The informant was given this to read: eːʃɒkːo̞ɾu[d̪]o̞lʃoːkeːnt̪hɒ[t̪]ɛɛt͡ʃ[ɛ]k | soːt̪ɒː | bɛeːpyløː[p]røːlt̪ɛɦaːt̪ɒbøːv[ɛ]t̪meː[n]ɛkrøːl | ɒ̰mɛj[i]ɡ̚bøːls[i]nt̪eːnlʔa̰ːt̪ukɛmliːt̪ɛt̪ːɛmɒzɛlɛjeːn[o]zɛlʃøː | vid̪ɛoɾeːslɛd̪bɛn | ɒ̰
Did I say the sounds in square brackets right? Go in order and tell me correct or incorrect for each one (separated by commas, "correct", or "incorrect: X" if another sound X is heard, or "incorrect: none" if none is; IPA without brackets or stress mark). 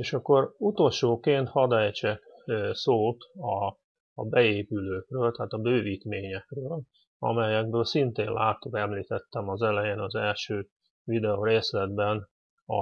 incorrect: t̪, incorrect: d̪, correct, incorrect: k, incorrect: i, incorrect: ɲ, incorrect: ɛ, correct, incorrect: ɒ